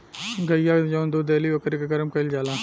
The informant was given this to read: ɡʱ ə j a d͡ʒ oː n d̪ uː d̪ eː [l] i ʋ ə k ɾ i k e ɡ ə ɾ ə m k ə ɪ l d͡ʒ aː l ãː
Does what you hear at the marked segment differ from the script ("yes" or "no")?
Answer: no